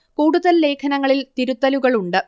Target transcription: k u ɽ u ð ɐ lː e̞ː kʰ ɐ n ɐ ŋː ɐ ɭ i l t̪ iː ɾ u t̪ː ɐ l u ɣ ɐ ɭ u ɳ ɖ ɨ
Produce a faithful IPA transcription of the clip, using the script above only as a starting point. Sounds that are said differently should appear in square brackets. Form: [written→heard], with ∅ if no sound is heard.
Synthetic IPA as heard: k [u→uː] ɽ u ð ɐ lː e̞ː kʰ ɐ n ɐ ŋː ɐ ɭ i l t̪ [iː→i] ɾ u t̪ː ɐ l u ɣ ɐ ɭ u ɳ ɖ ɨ